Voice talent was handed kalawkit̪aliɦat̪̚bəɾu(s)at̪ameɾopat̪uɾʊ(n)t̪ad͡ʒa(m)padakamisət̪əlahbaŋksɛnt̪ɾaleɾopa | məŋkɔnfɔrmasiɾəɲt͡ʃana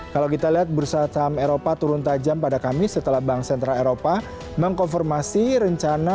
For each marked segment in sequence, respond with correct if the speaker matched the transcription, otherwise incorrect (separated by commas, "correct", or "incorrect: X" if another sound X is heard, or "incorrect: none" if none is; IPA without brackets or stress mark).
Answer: correct, correct, correct